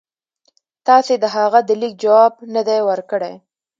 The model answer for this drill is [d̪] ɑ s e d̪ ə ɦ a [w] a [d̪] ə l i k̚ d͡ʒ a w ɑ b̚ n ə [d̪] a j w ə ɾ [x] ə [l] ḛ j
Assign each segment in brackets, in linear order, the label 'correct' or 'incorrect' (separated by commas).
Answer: incorrect, incorrect, correct, correct, incorrect, incorrect